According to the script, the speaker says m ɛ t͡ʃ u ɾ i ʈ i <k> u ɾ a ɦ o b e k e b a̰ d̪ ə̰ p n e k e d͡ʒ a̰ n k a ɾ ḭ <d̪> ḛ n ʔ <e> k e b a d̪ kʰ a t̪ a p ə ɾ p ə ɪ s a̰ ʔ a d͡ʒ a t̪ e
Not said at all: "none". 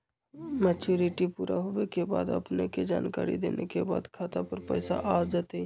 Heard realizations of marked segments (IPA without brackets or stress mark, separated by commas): p, d̪, e